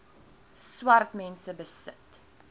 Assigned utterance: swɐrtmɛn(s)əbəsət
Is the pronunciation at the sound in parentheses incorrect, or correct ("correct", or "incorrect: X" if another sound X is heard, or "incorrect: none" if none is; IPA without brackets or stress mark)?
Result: correct